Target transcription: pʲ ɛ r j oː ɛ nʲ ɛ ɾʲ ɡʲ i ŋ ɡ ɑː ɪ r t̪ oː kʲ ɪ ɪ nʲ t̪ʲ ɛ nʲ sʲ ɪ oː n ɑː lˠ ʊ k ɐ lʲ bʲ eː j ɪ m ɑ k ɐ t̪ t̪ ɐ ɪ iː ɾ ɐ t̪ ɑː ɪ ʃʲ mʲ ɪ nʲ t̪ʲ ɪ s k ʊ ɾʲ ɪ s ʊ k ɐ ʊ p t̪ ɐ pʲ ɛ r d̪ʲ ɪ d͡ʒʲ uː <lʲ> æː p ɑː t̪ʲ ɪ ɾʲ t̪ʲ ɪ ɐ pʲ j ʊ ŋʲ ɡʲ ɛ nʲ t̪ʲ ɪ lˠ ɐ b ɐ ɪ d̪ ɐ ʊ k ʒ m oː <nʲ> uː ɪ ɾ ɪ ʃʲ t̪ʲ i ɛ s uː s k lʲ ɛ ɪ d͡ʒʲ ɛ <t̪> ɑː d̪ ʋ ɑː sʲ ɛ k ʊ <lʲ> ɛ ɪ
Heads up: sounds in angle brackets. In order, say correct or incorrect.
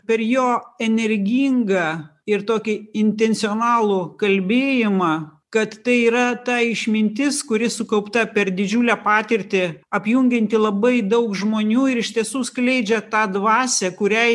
correct, correct, correct, incorrect: ɾʲ

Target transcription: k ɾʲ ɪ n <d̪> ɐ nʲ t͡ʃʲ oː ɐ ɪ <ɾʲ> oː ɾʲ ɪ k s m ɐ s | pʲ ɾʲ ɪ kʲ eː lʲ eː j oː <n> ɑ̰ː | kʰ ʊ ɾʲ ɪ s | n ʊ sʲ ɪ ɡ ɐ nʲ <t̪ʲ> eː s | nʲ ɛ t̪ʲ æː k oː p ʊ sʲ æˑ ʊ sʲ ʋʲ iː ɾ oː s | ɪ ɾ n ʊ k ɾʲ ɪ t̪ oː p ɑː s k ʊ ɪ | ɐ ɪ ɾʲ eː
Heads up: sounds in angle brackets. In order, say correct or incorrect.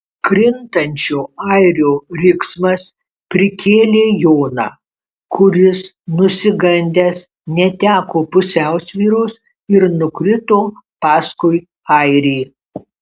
incorrect: t̪, correct, correct, incorrect: d̪ʲ

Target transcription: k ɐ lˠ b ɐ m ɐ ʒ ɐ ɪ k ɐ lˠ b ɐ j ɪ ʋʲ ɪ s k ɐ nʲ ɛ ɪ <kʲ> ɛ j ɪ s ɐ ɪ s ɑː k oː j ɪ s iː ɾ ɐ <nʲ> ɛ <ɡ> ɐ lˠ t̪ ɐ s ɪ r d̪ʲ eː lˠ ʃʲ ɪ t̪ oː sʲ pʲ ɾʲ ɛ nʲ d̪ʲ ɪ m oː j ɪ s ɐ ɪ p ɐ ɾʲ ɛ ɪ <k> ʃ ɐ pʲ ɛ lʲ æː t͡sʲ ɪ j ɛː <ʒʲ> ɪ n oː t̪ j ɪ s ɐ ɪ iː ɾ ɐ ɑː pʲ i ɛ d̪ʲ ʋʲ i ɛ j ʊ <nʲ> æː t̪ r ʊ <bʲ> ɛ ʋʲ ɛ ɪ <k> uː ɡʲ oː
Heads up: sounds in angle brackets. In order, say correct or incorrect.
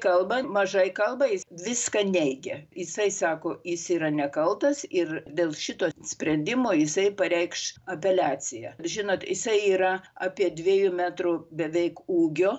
incorrect: ɡʲ, correct, incorrect: k, correct, correct, incorrect: mʲ, correct, correct

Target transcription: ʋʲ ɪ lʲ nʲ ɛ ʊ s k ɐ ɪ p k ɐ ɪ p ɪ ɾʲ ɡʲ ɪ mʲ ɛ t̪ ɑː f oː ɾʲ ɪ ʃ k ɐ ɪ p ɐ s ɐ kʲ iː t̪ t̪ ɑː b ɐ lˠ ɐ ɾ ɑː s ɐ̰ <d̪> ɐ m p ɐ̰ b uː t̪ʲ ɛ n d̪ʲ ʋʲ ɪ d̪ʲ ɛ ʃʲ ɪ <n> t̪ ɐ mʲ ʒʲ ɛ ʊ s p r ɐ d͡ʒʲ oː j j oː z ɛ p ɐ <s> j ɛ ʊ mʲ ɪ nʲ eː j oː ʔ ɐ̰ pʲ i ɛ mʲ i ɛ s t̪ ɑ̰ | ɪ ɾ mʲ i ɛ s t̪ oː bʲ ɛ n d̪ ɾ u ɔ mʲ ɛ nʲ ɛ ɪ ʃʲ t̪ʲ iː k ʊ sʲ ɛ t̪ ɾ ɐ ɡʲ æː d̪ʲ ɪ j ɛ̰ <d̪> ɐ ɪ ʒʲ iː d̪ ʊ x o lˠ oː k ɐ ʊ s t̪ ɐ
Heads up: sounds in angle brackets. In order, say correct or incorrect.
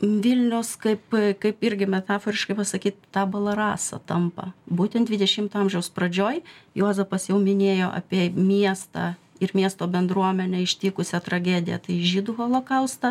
incorrect: t̪, incorrect: m, correct, incorrect: t̪

